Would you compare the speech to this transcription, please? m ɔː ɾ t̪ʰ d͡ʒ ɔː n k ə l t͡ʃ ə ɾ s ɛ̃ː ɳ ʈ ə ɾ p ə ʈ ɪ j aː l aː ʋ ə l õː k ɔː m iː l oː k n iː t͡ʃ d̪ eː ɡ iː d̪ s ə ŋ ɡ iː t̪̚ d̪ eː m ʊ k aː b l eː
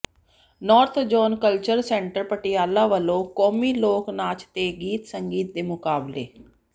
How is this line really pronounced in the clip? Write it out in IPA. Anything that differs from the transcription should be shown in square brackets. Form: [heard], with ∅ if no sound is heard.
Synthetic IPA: [n] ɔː ɾ t̪ʰ d͡ʒ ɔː n k ə l t͡ʃ ə ɾ s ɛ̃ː ɳ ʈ ə ɾ p ə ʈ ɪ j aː l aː ʋ ə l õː k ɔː m iː l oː k n [aː] t͡ʃ [t̪] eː ɡ iː [t̪] s ə ŋ ɡ iː t̪̚ d̪ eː m ʊ k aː b l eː

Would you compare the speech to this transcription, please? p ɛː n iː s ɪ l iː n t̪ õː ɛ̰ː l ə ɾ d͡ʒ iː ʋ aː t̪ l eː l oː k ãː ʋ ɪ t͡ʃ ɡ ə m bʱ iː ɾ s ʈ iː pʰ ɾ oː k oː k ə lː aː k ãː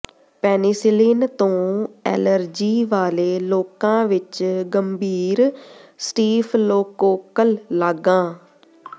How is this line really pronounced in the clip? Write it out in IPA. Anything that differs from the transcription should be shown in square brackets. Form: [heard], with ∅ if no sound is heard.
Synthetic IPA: p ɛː n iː s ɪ l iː n t̪ õː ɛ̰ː l ə ɾ d͡ʒ iː ʋ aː [∅] l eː l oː k ãː ʋ ɪ t͡ʃ ɡ ə m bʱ iː ɾ s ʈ iː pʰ [l] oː k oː k ə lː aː [ɡ] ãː

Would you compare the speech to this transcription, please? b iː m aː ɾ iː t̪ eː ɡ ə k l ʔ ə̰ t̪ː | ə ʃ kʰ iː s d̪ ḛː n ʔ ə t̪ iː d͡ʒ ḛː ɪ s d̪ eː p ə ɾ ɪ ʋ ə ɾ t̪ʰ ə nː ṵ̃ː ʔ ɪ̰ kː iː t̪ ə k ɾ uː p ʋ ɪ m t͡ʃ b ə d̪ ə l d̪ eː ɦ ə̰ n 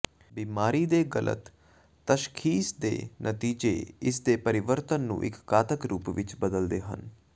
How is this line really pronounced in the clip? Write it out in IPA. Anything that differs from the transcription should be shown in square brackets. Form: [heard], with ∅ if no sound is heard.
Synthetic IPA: b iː m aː ɾ iː [d̪] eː ɡ ə [∅] l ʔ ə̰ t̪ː | ə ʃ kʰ iː s d̪ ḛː n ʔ ə t̪ iː d͡ʒ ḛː ɪ s d̪ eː p ə ɾ ɪ ʋ ə ɾ [t̪] ə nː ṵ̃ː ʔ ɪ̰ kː [aː] t̪ ə k ɾ uː p ʋ ɪ [∅] t͡ʃ b ə d̪ ə l d̪ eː ɦ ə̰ n

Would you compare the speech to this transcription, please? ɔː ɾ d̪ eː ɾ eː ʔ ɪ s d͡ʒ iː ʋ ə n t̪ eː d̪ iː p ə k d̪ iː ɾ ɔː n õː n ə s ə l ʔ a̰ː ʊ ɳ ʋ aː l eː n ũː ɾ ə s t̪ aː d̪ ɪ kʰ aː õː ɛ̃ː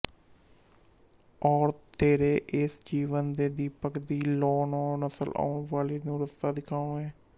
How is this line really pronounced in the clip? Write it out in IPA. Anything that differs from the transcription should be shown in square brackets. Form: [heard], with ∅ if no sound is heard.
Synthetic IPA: ɔː ɾ [t̪] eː ɾ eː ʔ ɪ s d͡ʒ iː ʋ ə n [d̪] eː d̪ iː p ə k d̪ iː [l] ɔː n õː n ə s ə l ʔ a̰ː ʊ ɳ ʋ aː l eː n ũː ɾ ə s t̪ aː d̪ ɪ kʰ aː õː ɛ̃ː

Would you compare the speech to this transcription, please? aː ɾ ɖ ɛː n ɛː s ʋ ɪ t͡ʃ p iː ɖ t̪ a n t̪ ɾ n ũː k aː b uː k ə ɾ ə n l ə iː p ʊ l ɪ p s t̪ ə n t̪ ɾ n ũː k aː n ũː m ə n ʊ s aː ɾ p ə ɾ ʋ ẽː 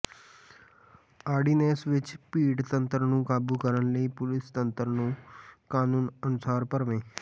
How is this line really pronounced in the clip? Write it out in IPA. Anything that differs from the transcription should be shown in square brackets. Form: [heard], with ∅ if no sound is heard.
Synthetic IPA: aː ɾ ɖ [iː] n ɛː s ʋ ɪ t͡ʃ p iː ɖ t̪ [ə] n t̪ ɾ n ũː k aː b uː k ə ɾ ə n l ə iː p ʊ l ɪ [∅] s t̪ ə n t̪ ɾ n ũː k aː n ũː [n] ə n ʊ s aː ɾ p ə ɾ ʋ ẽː

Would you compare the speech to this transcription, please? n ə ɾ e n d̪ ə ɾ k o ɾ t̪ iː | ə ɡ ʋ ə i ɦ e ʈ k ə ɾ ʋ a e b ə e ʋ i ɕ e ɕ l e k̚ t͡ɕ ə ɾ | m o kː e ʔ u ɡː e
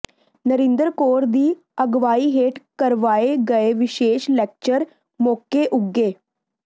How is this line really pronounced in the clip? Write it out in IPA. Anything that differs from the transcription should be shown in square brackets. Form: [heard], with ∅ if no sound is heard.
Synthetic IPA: n ə ɾ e n d̪ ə ɾ k o ɾ [d̪] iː | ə ɡ ʋ [a] i ɦ e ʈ k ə ɾ ʋ a e [ɡ] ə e ʋ i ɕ e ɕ l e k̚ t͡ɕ ə ɾ | m o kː e ʔ u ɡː e

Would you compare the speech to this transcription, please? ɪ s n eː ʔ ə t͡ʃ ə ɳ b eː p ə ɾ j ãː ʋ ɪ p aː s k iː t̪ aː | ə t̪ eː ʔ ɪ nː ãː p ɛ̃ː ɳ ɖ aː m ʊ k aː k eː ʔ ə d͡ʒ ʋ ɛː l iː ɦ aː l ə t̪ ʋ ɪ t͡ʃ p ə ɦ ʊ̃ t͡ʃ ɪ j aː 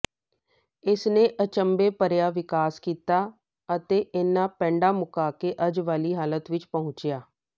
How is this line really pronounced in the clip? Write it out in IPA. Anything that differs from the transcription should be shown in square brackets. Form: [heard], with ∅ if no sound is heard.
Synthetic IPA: ɪ s n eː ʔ ə t͡ʃ ə [m] b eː p ə ɾ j [aː] ʋ ɪ [k] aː s k iː t̪ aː | ə t̪ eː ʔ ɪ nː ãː p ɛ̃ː ɳ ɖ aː m ʊ k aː k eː ʔ ə d͡ʒ ʋ [aː] l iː ɦ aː l ə t̪ ʋ ɪ t͡ʃ p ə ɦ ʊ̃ t͡ʃ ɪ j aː

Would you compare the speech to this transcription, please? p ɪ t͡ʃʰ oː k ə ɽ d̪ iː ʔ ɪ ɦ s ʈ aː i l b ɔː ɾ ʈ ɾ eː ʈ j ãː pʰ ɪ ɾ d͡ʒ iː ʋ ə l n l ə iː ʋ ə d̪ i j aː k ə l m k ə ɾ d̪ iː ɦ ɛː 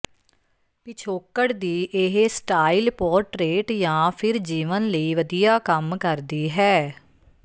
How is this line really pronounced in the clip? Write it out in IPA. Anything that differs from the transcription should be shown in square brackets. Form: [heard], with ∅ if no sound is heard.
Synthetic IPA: p ɪ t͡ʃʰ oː k ə ɽ d̪ iː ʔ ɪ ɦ s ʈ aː i l [p] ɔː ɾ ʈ ɾ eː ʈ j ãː pʰ ɪ ɾ d͡ʒ iː ʋ ə [∅] n l ə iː ʋ ə d̪ i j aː k ə [∅] m k ə ɾ d̪ iː ɦ ɛː

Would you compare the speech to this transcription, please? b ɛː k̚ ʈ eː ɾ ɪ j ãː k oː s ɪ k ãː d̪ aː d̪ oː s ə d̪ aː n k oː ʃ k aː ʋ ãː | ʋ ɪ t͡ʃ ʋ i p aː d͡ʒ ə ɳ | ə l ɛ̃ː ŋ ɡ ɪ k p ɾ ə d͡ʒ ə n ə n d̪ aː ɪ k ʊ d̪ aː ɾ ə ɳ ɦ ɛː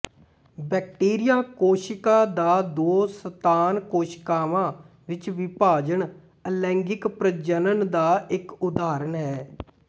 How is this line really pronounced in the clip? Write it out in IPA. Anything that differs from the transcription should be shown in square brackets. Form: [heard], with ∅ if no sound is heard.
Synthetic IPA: b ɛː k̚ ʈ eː ɾ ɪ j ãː k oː [ʃ] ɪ k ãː d̪ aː d̪ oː s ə [t̪] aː n k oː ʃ k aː ʋ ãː | ʋ ɪ t͡ʃ ʋ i p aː d͡ʒ ə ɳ | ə l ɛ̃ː ŋ ɡ ɪ k p ɾ ə d͡ʒ ə n ə n d̪ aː ɪ k ʊ d̪ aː ɾ ə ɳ ɦ ɛː

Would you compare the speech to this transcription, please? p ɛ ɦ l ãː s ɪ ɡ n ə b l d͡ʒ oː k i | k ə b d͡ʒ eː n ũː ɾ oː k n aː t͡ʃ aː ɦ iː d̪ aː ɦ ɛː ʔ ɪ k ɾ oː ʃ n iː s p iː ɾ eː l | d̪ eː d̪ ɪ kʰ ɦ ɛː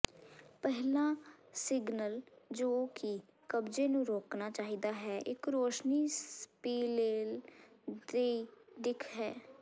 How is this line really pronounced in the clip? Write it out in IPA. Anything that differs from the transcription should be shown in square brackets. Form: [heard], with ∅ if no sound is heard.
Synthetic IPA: p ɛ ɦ l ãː s ɪ ɡ n ə [∅] l d͡ʒ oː k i | k ə b d͡ʒ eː n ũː ɾ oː k n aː t͡ʃ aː ɦ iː d̪ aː ɦ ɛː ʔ ɪ k ɾ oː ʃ n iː s p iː [l] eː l | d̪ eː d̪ ɪ kʰ ɦ ɛː

